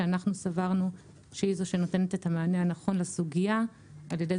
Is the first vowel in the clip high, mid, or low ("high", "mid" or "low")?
low